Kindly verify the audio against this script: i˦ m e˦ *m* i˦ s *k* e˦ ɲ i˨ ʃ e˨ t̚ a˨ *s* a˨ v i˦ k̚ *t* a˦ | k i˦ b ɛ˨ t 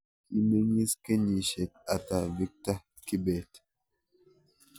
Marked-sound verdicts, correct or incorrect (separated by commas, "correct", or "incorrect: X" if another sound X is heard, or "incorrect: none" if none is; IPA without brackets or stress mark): incorrect: ŋ, correct, incorrect: t, correct